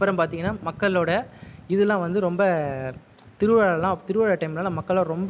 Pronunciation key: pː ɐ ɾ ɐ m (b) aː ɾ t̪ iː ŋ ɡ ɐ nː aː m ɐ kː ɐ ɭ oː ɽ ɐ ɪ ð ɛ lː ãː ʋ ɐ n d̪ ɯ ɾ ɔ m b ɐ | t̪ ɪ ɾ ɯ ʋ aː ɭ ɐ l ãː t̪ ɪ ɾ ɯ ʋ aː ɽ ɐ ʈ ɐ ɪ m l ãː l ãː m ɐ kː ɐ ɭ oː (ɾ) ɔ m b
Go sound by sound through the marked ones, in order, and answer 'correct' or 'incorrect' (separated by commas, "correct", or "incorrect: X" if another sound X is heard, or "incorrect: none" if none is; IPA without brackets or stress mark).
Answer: incorrect: p, correct